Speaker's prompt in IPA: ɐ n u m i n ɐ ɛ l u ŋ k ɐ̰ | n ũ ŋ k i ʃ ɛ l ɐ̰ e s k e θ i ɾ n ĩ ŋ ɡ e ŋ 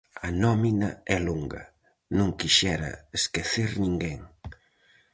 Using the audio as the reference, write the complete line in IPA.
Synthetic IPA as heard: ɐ n ɔ m i n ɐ ɛ l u ŋ ɡ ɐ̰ | n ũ ŋ k i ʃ ɛ ɾ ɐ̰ e s k e θ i ɾ n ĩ ŋ ɡ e ŋ